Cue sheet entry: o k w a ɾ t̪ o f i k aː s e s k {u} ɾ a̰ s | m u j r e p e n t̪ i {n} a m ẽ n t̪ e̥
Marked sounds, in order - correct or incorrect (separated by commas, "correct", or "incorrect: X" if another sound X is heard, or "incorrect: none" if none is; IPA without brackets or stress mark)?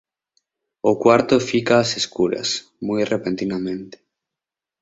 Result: correct, correct